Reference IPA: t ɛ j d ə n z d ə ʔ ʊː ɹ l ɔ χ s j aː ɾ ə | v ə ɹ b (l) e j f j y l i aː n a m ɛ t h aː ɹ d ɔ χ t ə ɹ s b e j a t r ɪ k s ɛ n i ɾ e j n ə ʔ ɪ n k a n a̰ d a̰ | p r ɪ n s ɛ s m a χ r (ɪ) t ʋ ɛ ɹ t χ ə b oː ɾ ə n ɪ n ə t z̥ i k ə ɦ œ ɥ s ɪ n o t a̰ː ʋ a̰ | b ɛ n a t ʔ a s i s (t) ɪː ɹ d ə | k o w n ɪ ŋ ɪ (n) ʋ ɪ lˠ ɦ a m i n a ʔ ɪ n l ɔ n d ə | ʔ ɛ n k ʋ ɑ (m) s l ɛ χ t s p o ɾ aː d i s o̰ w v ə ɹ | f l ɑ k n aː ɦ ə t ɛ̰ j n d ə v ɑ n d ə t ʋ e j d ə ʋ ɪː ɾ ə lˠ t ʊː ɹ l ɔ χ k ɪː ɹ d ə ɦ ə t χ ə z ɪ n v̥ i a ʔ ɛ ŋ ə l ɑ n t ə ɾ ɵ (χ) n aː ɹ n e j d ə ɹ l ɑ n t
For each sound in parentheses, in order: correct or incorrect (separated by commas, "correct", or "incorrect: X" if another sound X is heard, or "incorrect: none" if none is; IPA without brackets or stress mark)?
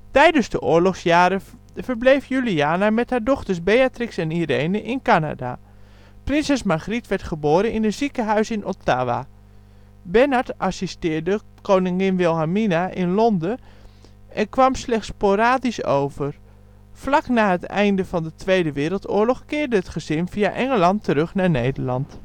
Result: correct, incorrect: i, correct, correct, correct, correct